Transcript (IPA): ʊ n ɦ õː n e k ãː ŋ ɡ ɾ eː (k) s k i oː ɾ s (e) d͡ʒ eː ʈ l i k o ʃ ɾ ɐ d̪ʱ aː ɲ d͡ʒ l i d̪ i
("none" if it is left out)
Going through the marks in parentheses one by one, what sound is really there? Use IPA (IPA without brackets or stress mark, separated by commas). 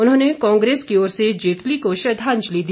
none, e